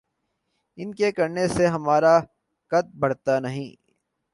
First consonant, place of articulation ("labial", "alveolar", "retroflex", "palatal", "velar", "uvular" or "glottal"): alveolar